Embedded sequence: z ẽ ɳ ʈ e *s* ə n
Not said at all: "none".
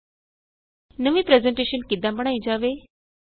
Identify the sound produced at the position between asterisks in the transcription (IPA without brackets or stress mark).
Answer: ʃ